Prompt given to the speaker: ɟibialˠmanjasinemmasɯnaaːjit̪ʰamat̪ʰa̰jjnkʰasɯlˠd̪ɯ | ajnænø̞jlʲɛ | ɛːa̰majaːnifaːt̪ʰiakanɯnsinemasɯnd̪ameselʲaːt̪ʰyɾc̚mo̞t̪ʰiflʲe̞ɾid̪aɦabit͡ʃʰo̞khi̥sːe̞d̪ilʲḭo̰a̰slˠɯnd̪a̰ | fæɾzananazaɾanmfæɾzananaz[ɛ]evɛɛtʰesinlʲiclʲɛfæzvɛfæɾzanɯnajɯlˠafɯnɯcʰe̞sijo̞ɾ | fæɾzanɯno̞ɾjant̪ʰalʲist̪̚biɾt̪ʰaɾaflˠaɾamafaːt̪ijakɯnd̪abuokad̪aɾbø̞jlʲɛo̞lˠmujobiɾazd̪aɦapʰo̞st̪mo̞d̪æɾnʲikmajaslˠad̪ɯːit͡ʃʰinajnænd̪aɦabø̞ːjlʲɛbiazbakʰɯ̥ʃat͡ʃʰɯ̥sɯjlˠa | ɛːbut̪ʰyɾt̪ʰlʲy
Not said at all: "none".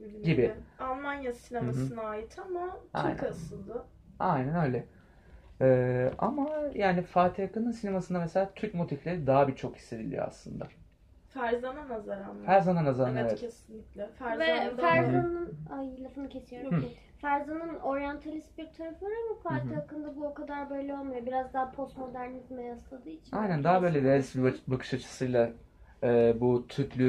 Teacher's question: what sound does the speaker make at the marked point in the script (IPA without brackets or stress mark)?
a